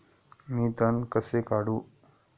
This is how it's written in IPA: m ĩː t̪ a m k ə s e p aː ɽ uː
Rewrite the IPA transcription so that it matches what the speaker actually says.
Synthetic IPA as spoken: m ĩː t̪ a n k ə s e k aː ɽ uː